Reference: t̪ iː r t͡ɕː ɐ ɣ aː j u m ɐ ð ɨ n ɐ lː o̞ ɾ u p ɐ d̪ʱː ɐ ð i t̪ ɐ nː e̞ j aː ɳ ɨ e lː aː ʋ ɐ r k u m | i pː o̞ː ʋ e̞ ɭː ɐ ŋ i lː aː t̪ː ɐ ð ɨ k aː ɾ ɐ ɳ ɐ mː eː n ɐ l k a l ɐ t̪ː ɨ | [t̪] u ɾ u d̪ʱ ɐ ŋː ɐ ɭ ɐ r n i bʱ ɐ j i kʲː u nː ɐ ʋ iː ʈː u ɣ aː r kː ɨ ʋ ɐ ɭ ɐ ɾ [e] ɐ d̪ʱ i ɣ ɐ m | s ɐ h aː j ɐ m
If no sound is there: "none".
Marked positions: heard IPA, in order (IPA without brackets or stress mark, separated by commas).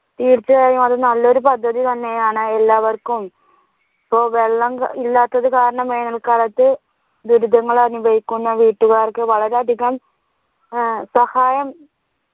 d̪, e